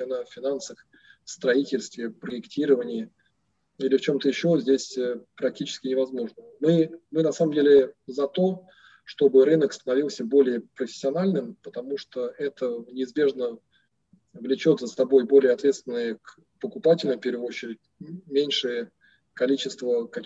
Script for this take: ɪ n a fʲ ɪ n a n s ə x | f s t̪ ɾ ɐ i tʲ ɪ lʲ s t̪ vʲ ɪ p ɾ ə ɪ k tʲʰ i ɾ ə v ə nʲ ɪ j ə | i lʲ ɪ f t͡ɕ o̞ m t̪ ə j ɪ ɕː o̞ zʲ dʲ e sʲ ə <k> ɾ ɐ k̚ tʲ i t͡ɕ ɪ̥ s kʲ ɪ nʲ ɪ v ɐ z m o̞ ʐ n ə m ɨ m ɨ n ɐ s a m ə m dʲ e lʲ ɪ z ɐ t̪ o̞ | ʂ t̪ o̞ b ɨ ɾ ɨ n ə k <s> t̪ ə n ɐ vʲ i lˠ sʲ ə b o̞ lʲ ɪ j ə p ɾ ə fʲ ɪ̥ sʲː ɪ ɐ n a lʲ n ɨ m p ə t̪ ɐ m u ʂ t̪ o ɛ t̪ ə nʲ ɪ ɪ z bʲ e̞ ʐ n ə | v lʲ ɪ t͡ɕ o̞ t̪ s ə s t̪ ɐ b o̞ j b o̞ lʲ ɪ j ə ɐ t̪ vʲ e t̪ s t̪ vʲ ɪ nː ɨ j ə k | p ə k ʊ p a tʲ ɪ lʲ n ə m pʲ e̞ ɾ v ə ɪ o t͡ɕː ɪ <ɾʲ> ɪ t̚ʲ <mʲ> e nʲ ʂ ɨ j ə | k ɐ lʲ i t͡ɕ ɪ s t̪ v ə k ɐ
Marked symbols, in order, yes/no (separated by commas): no, yes, yes, yes